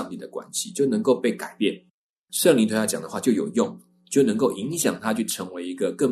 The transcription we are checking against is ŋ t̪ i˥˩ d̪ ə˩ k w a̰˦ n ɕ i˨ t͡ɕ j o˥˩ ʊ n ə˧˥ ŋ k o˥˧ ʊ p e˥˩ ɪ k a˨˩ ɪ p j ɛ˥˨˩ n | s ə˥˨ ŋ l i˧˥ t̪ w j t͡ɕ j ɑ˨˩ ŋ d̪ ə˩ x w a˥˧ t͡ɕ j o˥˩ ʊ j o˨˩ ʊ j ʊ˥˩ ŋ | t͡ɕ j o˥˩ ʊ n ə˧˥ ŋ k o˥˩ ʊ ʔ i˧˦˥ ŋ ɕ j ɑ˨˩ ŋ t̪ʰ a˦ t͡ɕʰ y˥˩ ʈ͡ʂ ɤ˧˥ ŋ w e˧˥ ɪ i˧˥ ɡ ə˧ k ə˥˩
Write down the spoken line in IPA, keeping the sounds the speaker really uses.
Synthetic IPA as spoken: ŋ t̪ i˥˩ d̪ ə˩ k w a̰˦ n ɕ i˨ t͡ɕ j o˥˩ ʊ n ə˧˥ ŋ k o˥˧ ʊ p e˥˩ ɪ k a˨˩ ɪ p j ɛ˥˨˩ n | ʂ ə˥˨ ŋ l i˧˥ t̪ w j t͡ɕ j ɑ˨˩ ŋ d̪ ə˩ x w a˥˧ t͡ɕ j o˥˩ ʊ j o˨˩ ʊ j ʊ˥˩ ŋ | t͡ɕ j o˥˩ ʊ n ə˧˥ ŋ k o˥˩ ʊ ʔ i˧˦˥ ŋ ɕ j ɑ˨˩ ŋ t̪ʰ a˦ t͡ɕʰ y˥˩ ʈ͡ʂʰ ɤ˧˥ ŋ w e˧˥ ɪ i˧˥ ɡ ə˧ k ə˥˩